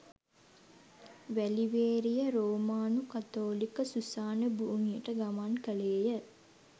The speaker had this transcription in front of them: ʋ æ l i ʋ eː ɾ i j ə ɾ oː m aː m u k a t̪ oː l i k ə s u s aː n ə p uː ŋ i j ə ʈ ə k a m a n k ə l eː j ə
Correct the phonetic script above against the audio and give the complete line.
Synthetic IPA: ʋ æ l i ʋ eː ɾ i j ə ɾ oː m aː n u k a t̪ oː l i k ə s u s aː n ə b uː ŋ i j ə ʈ ə ɡ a m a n k ə l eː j ə